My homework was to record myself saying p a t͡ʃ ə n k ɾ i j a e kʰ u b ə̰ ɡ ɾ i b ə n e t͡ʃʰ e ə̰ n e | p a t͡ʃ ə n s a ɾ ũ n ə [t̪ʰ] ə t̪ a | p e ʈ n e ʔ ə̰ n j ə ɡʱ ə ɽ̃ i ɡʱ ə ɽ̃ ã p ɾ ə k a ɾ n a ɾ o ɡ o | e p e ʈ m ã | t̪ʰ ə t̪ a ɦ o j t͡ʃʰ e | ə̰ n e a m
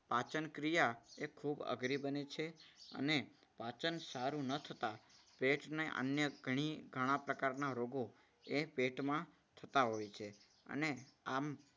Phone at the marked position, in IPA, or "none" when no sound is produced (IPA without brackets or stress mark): t̪ʰ